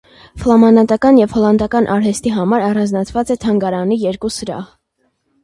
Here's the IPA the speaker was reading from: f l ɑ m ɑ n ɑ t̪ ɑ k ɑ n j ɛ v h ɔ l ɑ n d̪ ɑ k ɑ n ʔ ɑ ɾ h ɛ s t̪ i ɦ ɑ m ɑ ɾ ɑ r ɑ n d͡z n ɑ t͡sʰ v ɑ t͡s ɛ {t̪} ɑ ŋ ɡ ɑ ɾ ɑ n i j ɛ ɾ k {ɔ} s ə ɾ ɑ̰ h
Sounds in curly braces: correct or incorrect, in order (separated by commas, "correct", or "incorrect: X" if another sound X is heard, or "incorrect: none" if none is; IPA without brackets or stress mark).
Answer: incorrect: t̪ʰ, incorrect: u